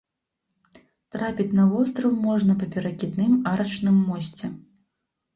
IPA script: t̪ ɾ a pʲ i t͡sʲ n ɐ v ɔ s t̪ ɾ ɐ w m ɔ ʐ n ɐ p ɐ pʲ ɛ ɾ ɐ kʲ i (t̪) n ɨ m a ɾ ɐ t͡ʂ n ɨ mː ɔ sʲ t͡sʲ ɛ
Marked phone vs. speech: incorrect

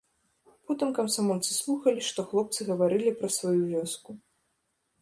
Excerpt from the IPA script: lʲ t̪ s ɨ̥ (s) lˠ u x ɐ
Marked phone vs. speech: correct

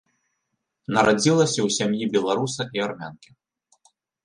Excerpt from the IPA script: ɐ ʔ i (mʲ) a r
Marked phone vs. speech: incorrect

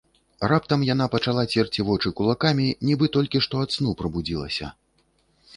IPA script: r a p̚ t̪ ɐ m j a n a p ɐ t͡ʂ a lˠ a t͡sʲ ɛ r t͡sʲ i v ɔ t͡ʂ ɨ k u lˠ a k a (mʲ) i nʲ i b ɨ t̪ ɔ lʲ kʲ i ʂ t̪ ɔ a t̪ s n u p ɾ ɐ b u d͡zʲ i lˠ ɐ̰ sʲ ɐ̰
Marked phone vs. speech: correct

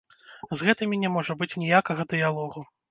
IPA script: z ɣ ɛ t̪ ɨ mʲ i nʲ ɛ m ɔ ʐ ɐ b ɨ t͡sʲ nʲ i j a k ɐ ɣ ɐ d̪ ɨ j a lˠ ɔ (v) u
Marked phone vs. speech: incorrect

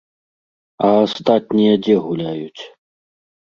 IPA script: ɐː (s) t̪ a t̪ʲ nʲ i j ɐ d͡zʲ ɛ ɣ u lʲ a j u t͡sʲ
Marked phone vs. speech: correct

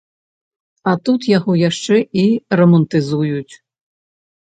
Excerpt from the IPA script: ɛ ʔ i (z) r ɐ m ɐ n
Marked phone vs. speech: incorrect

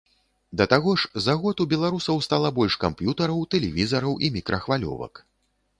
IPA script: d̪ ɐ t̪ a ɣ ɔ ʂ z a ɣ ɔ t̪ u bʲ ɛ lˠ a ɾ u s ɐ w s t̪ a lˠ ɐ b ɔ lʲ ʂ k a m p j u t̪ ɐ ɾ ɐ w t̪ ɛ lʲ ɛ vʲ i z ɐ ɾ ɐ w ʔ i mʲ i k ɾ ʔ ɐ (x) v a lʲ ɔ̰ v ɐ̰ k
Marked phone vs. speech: correct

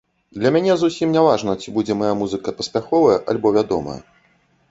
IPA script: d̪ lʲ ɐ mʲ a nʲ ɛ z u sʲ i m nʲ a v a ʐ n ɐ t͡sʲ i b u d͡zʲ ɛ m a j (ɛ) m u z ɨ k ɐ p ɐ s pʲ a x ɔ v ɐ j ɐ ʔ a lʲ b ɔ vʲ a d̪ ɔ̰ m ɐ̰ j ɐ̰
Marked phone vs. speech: incorrect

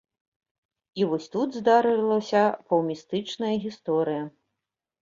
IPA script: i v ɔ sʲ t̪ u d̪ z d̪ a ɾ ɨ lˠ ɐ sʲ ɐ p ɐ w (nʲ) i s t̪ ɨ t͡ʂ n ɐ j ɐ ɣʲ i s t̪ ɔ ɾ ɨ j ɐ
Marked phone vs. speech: incorrect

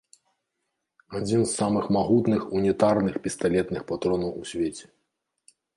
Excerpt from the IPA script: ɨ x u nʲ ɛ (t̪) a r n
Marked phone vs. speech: correct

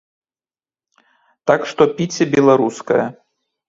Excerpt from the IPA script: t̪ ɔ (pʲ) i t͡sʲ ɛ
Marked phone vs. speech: correct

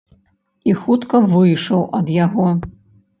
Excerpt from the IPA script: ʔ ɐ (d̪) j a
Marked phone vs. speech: correct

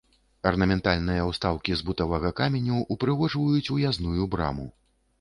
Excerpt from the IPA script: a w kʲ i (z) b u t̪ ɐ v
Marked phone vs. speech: correct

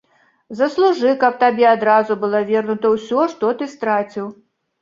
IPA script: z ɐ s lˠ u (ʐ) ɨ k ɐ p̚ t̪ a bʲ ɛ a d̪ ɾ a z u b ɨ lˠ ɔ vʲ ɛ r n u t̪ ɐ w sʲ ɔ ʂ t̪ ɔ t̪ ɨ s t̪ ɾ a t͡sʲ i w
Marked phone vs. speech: correct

